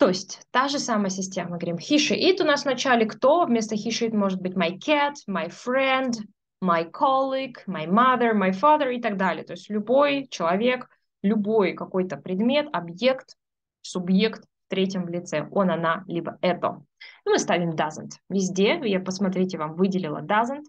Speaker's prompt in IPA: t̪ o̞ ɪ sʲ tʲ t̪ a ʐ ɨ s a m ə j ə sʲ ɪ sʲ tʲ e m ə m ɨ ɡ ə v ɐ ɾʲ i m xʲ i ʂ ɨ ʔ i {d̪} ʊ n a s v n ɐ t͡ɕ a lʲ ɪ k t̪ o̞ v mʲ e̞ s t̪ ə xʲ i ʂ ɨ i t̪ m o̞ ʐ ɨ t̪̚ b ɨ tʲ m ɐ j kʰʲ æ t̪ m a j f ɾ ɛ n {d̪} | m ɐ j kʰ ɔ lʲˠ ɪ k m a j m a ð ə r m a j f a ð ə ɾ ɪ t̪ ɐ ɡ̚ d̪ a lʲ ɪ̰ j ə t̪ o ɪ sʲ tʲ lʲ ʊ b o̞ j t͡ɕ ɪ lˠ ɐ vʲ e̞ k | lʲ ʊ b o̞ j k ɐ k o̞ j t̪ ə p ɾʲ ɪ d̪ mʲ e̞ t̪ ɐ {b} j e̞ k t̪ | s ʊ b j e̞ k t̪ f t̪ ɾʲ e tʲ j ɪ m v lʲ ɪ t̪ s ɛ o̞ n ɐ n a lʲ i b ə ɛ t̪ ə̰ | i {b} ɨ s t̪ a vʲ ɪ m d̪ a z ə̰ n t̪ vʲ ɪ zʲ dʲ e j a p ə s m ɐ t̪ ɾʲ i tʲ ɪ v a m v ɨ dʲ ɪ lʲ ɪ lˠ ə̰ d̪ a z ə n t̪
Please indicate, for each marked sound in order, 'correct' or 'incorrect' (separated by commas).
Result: incorrect, correct, correct, incorrect